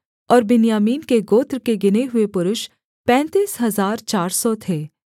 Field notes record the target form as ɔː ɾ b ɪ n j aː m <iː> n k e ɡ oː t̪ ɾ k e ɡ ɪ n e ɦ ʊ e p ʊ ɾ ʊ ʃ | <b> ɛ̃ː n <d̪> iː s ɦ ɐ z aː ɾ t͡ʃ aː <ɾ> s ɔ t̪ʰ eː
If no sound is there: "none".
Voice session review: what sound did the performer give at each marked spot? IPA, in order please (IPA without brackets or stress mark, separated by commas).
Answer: iː, p, t̪, ɾ